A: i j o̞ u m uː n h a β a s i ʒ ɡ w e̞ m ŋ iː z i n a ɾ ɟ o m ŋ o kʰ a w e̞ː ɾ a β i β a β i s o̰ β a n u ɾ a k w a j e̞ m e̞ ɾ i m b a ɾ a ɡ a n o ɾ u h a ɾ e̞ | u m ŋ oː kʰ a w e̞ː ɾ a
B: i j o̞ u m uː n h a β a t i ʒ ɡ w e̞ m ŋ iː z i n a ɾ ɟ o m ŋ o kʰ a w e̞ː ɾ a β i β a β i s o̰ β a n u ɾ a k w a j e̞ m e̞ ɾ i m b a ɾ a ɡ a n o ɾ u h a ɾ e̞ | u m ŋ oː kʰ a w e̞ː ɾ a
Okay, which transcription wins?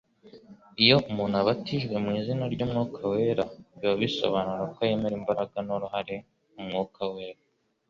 B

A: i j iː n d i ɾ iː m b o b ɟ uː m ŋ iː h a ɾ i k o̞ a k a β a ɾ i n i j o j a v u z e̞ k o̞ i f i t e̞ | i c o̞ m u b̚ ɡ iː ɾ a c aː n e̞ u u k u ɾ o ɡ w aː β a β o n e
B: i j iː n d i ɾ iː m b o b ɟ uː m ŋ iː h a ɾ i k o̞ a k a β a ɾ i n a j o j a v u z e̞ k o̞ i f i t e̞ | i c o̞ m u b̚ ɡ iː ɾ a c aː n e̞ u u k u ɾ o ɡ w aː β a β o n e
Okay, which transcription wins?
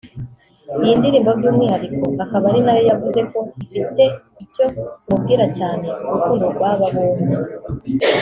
B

